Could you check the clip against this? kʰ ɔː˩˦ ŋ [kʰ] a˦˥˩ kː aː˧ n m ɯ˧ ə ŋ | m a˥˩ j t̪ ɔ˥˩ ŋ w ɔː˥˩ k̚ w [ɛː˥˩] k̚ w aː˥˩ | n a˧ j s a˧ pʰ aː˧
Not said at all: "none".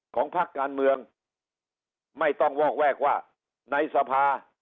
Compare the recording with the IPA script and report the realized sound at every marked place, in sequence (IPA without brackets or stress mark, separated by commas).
pʰ, ɛː˥˩